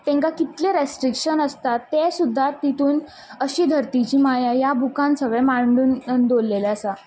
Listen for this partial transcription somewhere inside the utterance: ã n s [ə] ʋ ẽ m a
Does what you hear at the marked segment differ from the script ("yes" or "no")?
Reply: no